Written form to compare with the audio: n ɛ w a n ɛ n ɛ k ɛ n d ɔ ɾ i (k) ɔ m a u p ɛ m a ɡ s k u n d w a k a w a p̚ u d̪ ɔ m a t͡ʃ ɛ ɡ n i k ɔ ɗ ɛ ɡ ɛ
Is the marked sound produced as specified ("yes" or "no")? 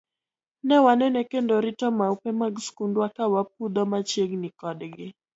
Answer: no